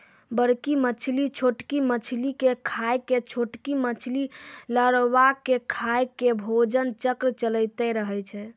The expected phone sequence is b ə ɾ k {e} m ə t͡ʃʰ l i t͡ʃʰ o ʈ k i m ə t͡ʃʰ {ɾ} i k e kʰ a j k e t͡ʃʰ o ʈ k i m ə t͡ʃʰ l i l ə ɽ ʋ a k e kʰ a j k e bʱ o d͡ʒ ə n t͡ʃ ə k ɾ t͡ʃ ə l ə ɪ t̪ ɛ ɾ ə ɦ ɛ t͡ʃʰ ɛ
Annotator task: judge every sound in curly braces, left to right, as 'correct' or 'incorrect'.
incorrect, incorrect

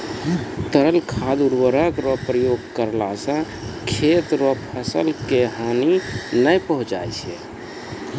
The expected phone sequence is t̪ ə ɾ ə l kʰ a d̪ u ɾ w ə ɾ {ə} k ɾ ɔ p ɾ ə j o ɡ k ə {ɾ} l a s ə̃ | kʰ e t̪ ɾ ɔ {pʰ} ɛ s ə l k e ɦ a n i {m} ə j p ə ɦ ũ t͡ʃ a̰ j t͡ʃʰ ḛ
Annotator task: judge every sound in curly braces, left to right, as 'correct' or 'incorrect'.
correct, correct, correct, incorrect

